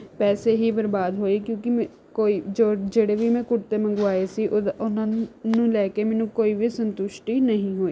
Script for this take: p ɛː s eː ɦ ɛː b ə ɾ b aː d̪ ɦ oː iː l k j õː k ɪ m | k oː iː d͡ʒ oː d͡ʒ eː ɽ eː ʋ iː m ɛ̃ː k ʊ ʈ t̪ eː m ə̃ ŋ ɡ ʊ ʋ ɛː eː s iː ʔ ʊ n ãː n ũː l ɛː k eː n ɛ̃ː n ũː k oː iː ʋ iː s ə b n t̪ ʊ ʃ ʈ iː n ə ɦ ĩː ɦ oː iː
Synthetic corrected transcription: p ɛː s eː ɦ iː b ə ɾ b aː d̪ ɦ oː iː k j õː k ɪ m | k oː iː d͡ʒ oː d͡ʒ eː ɽ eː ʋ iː m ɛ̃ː k ʊ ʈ t̪ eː m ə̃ ŋ ɡ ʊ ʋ aː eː s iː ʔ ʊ n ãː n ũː l ɛː k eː m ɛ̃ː n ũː k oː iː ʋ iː s ə n t̪ ʊ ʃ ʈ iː n ə ɦ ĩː ɦ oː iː